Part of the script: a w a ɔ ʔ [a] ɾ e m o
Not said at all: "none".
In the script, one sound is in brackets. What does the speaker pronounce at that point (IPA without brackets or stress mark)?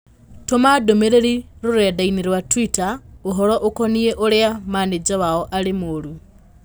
a